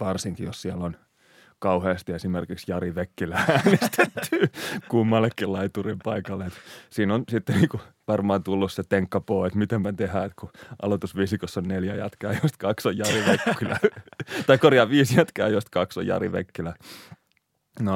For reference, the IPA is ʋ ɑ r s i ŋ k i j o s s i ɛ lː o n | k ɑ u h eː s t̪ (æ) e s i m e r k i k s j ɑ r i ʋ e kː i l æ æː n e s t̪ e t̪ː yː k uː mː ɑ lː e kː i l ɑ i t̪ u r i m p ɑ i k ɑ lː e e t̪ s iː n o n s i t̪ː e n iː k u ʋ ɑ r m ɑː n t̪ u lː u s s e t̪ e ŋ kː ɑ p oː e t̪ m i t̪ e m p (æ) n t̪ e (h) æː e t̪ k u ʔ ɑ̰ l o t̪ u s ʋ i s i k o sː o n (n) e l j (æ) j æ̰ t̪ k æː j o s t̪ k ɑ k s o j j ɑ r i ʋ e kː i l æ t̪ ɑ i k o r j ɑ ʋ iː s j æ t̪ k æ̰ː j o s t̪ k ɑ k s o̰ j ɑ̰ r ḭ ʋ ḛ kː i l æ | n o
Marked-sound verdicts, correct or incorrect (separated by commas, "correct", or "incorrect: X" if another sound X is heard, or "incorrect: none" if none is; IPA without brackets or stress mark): incorrect: i, correct, correct, correct, correct